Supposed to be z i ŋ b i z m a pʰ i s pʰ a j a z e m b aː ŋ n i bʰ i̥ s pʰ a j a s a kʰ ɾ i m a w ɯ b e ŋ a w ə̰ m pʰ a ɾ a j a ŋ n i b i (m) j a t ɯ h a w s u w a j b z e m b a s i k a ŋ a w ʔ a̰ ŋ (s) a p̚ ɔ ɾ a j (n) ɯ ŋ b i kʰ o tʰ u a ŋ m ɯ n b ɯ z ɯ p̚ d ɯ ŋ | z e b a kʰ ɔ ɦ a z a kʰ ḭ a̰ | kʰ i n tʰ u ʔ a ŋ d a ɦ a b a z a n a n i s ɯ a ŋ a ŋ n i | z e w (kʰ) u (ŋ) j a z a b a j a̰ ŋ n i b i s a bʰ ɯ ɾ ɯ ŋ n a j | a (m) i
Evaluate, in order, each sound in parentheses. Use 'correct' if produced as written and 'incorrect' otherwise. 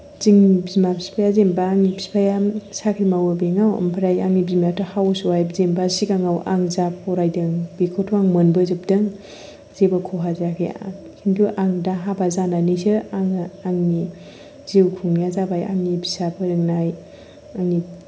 correct, incorrect: z, incorrect: d, correct, correct, incorrect: ŋ

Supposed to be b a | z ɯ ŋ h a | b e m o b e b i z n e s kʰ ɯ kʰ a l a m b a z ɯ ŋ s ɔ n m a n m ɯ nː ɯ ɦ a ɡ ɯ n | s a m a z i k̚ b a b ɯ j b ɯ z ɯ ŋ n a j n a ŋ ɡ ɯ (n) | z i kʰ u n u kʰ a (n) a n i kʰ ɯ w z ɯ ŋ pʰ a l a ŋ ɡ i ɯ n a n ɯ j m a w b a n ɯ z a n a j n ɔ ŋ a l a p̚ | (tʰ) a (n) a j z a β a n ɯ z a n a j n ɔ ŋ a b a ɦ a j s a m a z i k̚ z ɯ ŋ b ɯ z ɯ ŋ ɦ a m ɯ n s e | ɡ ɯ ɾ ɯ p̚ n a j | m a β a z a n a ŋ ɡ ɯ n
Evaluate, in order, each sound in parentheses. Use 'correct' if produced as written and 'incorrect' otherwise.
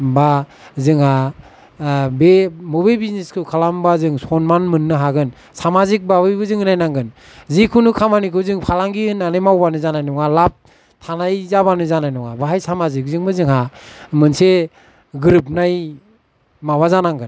correct, incorrect: m, correct, correct

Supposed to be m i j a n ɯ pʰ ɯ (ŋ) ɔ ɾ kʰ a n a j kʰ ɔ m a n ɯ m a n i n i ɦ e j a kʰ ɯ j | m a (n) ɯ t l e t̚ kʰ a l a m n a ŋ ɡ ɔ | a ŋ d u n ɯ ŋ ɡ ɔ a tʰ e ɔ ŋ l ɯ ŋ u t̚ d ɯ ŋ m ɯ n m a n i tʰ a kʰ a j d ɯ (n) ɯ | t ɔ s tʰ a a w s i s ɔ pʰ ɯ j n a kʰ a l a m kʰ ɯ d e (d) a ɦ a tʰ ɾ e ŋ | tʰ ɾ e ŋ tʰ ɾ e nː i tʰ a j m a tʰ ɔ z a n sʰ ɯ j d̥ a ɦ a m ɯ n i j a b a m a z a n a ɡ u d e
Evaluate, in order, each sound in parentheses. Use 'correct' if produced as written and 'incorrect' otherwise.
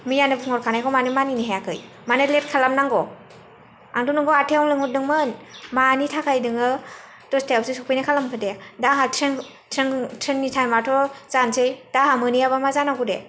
correct, correct, incorrect: ŋ, correct

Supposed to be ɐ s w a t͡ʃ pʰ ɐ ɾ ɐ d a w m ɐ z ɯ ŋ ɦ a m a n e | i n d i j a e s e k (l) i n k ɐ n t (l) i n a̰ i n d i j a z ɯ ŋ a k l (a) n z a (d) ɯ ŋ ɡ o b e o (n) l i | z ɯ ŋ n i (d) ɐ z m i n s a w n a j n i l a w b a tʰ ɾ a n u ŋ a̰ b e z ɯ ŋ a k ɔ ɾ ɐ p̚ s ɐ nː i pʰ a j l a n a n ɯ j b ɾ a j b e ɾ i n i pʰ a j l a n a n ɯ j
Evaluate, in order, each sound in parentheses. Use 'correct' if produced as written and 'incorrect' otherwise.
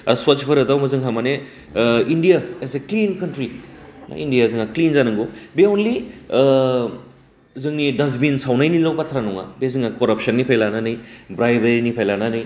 correct, incorrect: ɾ, incorrect: i, incorrect: n, correct, correct

